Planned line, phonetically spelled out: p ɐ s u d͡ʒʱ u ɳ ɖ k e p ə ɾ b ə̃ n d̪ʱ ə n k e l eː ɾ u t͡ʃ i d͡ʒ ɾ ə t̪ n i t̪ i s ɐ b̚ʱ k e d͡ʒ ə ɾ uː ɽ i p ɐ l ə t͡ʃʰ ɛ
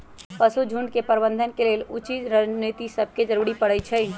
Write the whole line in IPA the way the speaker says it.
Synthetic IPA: p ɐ s u d͡ʒʱ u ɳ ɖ k e p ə ɾ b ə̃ n d̪ʱ ə n k e l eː l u t͡ʃ i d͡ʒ ɾ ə n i t̪ i s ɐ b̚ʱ k e d͡ʒ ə ɾ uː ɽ i p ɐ ɽ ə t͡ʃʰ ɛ